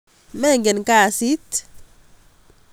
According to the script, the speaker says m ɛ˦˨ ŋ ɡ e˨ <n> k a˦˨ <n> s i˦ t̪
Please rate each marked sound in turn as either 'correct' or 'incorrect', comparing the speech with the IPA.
correct, incorrect: none

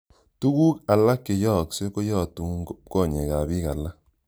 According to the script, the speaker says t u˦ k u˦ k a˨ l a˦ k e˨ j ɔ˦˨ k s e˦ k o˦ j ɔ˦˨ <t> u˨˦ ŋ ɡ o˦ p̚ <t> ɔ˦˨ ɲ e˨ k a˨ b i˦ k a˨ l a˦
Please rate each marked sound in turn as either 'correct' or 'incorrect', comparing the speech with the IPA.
correct, incorrect: k

